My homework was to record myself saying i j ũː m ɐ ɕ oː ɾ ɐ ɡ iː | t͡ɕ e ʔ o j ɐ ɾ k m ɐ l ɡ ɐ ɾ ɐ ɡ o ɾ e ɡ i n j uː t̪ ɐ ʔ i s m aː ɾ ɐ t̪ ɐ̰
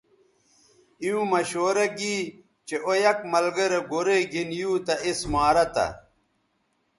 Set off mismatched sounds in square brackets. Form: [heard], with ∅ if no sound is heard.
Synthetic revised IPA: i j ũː m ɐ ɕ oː ɾ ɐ ɡ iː | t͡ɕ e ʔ o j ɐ [∅] k m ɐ l ɡ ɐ ɾ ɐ ɡ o ɾ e ɡ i n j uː t̪ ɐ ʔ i s m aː ɾ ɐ t̪ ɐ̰